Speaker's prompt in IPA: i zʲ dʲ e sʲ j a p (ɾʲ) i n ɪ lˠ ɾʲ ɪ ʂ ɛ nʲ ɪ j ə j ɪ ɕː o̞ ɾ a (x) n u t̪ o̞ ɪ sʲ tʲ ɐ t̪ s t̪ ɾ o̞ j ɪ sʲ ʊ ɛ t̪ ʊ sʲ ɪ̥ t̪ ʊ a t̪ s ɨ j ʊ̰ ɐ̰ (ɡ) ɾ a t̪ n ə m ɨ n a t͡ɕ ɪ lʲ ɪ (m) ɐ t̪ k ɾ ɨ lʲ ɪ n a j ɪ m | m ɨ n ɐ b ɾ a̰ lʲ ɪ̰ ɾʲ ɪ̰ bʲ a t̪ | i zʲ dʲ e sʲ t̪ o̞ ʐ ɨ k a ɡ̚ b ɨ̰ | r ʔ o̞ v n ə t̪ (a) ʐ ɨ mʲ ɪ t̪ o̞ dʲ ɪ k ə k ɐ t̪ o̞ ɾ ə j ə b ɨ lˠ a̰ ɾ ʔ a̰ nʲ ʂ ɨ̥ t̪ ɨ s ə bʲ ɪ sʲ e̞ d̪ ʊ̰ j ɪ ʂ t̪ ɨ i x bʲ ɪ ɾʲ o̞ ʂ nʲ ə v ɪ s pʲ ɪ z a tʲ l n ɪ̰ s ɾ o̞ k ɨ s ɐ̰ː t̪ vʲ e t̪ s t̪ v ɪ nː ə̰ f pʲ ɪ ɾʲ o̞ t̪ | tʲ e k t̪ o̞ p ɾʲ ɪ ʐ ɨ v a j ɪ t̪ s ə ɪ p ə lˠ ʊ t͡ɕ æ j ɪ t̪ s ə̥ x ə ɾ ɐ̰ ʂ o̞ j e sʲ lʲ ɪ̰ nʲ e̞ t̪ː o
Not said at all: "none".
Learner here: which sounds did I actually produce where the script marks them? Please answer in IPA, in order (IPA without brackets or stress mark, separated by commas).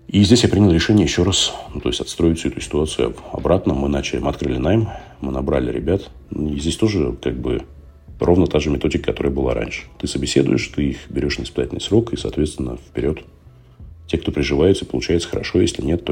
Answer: ɾʲ, s, b, m, a